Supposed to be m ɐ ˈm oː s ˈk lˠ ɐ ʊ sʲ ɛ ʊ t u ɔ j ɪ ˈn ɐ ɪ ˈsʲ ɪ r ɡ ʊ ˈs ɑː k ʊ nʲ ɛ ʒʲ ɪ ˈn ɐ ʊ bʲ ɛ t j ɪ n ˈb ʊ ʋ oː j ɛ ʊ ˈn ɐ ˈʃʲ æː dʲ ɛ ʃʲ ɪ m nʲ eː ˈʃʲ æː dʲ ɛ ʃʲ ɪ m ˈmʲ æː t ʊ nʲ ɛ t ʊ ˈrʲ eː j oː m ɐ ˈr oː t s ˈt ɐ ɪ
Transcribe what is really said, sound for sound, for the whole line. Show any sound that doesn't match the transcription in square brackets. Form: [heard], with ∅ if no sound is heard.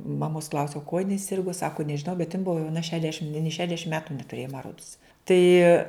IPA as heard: m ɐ ˈm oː s ˈk lˠ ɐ ʊ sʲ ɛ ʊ [k] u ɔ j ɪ ˈn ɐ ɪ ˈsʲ ɪ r ɡ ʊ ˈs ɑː k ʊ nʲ ɛ ʒʲ ɪ ˈn ɐ ʊ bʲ ɛ t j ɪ n ˈb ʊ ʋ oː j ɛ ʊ ˈn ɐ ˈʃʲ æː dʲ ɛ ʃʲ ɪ m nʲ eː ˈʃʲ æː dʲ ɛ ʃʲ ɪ m ˈmʲ æː t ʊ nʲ ɛ t ʊ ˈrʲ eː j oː m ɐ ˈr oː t s ˈt ɐ ɪ

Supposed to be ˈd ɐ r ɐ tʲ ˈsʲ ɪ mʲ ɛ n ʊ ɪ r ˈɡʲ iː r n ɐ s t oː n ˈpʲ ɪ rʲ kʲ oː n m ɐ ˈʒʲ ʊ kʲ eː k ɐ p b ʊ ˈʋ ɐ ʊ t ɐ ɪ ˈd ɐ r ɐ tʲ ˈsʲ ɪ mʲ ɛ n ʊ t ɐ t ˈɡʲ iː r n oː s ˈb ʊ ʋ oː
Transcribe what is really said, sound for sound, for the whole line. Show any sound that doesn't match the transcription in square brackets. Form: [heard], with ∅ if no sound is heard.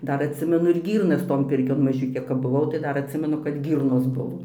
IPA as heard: ˈd ɐ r ɐ tʲ ˈsʲ ɪ mʲ ɛ n ʊ ɪ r ˈɡʲ iː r n ɐ s t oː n ˈpʲ ɪ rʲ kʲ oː n m ɐ ˈʒʲ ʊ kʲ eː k ɐ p b ʊ ˈʋ ɐ ʊ t ɐ ɪ ˈd ɐ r ɐ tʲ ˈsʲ ɪ mʲ ɛ n ʊ [k] ɐ t ˈɡʲ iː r n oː s ˈb ʊ ʋ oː

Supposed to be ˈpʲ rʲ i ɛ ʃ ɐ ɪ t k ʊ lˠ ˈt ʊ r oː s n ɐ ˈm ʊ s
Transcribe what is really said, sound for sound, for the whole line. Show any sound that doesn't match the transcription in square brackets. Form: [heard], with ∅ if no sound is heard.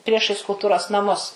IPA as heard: ˈpʲ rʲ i ɛ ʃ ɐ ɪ [s] k ʊ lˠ ˈt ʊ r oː s n ɐ ˈm ʊ s

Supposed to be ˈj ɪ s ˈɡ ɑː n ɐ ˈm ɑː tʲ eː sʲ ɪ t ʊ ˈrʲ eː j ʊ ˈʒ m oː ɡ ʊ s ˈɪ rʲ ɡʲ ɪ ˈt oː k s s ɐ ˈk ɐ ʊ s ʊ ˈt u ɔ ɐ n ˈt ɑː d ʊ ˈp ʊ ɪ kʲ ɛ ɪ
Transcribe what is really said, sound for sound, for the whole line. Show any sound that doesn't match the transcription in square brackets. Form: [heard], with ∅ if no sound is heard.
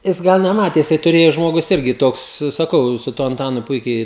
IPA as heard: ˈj ɪ s ˈɡ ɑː n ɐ ˈm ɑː tʲ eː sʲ ɪ t ʊ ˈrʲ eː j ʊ ˈʒ m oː ɡ ʊ s ˈɪ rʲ ɡʲ ɪ ˈt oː k s s ɐ ˈk ɐ ʊ s ʊ ˈt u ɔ ɐ n ˈt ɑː [n] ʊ ˈp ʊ ɪ kʲ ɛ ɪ

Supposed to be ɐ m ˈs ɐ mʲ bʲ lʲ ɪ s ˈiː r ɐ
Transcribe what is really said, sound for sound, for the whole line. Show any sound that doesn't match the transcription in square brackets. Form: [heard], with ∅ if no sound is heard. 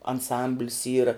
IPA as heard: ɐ [n] ˈs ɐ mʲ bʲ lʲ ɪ s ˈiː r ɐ

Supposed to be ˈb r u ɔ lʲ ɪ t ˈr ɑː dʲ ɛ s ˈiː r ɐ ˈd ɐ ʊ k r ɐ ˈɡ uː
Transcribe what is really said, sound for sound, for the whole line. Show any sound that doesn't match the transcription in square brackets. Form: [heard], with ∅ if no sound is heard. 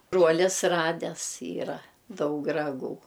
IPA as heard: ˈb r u ɔ lʲ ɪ [s] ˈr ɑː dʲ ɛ s ˈiː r ɐ ˈd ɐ ʊ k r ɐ ˈɡ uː

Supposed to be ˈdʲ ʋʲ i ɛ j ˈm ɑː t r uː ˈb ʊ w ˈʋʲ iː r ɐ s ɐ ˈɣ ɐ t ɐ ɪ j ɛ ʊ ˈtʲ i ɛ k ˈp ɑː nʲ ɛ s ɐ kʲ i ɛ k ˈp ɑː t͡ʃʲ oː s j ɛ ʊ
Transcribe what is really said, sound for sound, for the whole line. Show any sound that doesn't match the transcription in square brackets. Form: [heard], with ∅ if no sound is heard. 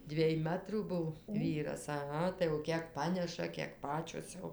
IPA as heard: ˈdʲ ʋʲ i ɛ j ˈm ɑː t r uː ˈb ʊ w ˈʋʲ iː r ɐ s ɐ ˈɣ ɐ t ɐ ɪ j ɛ ʊ [ˈkʲ] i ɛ k ˈp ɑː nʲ ɛ [ʃ] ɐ kʲ i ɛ k ˈp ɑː t͡ʃʲ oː s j ɛ ʊ

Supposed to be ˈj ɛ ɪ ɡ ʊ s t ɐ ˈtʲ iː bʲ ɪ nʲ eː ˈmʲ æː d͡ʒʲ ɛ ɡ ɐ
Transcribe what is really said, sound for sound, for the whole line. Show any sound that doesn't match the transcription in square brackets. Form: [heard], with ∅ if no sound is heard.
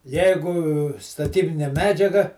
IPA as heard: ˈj ɛ ɪ ɡ ʊ s t ɐ ˈtʲ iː bʲ ɪ nʲ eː ˈmʲ æː d͡ʒʲ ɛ ɡ ɐ

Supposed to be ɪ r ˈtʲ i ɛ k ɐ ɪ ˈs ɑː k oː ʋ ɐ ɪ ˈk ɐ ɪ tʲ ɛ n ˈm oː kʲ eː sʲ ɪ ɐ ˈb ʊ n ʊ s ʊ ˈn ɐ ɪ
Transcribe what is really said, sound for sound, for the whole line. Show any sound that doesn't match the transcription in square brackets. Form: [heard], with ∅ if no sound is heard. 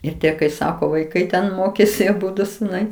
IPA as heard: ɪ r ˈtʲ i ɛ k ɐ ɪ ˈs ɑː k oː ʋ ɐ ɪ ˈk ɐ ɪ tʲ ɛ n ˈm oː kʲ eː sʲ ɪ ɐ ˈb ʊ [d] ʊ s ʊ ˈn ɐ ɪ

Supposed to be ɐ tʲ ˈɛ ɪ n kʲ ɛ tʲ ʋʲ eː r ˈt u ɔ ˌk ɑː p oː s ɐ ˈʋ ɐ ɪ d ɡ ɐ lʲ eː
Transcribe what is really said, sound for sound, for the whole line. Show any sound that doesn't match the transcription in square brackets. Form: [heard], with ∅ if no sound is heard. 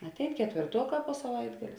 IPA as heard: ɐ tʲ ˈɛ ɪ n kʲ ɛ tʲ ʋʲ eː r ˈt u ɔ ˌk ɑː p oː s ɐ ˈʋ ɐ ɪ d ɡ ɐ lʲ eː

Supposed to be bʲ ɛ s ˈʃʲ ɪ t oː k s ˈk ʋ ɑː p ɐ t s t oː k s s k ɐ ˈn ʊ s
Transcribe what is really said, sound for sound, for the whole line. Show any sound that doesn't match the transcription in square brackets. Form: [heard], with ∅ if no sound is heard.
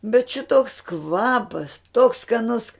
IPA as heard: bʲ ɛ [t] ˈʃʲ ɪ t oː k s ˈk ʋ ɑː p ɐ [∅] s t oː k s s k ɐ ˈn ʊ s

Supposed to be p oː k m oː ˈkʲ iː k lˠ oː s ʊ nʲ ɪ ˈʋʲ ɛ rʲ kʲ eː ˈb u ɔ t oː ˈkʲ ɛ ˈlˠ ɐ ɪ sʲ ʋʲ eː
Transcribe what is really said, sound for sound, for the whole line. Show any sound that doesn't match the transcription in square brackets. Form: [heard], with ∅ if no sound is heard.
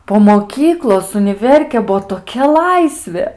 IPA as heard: p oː [∅] m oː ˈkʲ iː k lˠ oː s ʊ nʲ ɪ ˈʋʲ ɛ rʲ kʲ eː ˈb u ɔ t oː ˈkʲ ɛ ˈlˠ ɐ ɪ sʲ ʋʲ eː

